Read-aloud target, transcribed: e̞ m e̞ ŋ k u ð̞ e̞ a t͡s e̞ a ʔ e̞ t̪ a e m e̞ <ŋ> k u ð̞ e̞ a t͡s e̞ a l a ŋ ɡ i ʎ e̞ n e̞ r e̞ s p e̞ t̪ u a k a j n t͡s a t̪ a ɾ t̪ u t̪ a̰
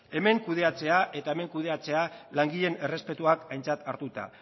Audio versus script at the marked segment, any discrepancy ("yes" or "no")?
no